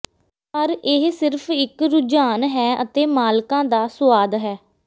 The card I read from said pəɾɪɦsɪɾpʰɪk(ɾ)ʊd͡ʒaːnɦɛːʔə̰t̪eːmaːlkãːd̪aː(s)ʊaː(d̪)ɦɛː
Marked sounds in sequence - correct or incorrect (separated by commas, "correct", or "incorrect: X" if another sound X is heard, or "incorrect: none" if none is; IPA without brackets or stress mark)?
correct, correct, correct